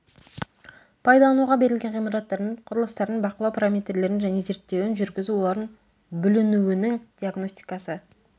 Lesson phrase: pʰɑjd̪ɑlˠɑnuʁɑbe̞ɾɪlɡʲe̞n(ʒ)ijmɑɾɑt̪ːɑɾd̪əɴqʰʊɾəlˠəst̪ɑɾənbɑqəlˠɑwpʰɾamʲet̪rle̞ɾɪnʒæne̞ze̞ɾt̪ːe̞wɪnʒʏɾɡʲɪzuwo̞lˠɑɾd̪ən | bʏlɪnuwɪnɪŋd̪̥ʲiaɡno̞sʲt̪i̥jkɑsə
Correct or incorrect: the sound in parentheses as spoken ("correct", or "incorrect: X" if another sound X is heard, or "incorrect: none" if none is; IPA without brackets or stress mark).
incorrect: ʁ